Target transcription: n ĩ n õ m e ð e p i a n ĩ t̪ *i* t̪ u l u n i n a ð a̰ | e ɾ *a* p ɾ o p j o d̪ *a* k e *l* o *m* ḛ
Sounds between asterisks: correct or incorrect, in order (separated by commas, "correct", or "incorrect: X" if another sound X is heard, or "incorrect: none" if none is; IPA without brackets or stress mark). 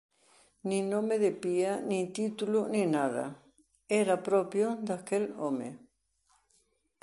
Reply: correct, correct, correct, correct, correct